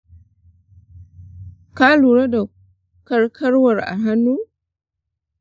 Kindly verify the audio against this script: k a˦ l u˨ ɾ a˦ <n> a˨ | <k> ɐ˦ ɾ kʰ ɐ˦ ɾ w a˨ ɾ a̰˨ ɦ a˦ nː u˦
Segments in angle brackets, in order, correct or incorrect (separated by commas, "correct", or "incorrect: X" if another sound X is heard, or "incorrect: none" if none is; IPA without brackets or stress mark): incorrect: d, correct